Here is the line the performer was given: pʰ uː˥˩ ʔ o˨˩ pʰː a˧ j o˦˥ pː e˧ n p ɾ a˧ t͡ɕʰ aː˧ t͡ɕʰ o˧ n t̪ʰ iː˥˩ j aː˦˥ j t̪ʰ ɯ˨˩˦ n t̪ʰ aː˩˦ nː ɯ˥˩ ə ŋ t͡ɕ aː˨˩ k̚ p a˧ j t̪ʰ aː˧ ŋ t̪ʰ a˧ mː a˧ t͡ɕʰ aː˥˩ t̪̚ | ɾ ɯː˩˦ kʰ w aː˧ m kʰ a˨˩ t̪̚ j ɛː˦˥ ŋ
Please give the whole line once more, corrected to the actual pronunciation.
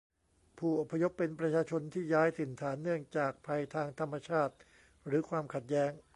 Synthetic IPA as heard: pʰ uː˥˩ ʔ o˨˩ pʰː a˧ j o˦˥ pː e˧ n p ɾ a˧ t͡ɕʰ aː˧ t͡ɕʰ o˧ n t̪ʰ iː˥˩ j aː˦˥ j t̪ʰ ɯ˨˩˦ n t̪ʰ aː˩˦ nː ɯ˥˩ ə ŋ t͡ɕ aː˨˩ k̚ pʰ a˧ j t̪ʰ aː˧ ŋ t̪ʰ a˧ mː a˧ t͡ɕʰ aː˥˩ t̪̚ | ɾ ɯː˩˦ kʰ w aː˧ m kʰ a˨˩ t̪̚ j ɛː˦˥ ŋ